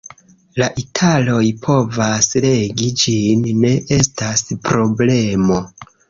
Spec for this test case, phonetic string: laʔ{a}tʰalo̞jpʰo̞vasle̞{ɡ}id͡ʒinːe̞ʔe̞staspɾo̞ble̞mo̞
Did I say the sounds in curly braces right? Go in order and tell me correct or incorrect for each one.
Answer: incorrect: i, correct

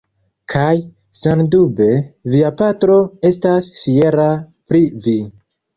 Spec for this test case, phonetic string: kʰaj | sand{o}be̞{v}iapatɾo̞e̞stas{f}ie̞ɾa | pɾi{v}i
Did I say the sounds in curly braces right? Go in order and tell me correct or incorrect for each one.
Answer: incorrect: u, correct, correct, correct

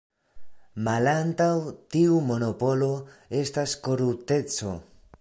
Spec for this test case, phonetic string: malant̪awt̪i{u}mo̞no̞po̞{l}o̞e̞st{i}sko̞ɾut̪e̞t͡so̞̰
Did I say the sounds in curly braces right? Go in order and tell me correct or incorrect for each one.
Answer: correct, correct, incorrect: a

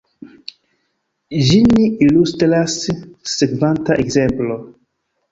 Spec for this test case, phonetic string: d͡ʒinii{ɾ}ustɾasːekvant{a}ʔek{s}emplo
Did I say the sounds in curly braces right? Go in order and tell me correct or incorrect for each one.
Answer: incorrect: l, correct, incorrect: z

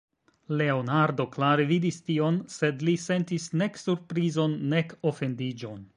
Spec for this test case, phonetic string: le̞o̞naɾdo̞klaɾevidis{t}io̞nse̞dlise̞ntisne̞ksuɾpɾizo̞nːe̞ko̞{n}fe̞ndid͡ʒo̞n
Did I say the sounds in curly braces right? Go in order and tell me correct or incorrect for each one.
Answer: correct, incorrect: none

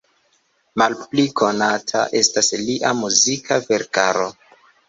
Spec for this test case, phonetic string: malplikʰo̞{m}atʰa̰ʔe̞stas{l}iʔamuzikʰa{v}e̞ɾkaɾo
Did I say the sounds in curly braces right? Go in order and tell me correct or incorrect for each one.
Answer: incorrect: n, correct, correct

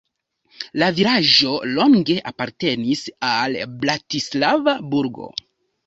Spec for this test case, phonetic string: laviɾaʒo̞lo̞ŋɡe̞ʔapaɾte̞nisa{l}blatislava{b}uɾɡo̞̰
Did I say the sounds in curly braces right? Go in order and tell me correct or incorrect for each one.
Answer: correct, correct

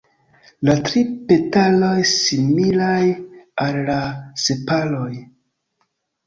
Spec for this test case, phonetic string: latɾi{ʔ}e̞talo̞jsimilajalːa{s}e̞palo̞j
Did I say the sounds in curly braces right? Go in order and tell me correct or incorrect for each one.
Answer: incorrect: p, correct

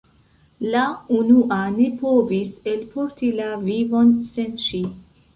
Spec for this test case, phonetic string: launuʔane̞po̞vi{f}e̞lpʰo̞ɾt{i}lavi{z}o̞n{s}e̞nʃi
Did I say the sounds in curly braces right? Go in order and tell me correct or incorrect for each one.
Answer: incorrect: s, correct, incorrect: v, correct

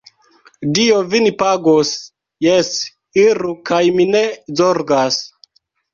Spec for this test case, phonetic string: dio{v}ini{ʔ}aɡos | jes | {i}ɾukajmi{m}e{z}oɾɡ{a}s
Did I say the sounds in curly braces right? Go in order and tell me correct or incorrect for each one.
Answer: correct, incorrect: p, correct, incorrect: n, correct, correct

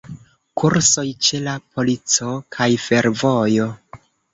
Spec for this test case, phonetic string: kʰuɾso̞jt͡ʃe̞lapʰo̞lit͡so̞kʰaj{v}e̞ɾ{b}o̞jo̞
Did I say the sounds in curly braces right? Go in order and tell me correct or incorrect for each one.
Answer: incorrect: f, incorrect: v

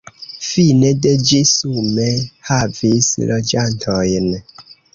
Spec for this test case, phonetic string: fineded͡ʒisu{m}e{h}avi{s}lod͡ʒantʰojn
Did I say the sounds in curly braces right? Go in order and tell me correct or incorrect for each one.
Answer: correct, correct, correct

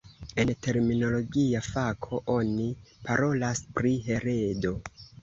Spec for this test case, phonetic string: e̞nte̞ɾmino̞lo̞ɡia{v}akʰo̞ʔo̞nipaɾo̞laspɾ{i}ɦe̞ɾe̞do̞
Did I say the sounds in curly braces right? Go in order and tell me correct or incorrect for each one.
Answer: incorrect: f, correct

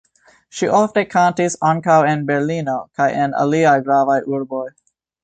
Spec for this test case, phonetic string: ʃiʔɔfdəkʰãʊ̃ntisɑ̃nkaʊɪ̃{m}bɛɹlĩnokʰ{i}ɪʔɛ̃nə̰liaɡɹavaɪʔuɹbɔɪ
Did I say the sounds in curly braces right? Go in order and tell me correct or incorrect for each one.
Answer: incorrect: n, incorrect: a

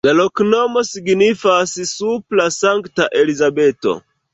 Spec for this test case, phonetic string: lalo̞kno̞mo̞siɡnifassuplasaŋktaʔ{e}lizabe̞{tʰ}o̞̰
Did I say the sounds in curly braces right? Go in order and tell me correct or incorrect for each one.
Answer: correct, incorrect: t

